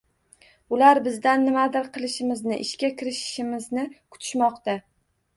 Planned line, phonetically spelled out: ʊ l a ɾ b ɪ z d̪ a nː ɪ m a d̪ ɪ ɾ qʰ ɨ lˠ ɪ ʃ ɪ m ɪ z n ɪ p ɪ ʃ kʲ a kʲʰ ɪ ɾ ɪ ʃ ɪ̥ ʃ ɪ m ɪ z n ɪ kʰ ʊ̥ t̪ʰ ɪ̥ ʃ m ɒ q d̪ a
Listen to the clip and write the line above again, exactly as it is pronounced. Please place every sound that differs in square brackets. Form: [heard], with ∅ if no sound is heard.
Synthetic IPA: ʊ l a ɾ b ɪ z d̪ a nː ɪ m a d̪ ɪ ɾ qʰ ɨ lˠ ɪ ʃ ɪ m ɪ z n ɪ [ʔ] ɪ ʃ kʲ a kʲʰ ɪ ɾ ɪ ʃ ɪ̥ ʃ ɪ m ɪ z n ɪ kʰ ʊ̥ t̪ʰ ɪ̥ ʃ m ɒ q [t̪] a